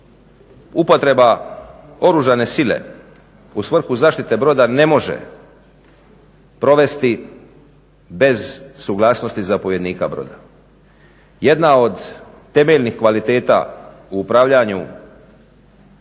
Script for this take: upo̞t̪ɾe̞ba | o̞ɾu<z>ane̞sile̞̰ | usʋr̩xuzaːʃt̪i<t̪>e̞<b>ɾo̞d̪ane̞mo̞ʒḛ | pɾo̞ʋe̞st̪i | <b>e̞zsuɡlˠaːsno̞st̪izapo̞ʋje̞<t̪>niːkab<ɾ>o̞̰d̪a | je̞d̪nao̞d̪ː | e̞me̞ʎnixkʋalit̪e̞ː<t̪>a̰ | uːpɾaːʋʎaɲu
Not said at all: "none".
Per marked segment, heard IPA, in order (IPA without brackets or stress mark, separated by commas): ʒ, t̪, b, b, d̪, ɾ, t̪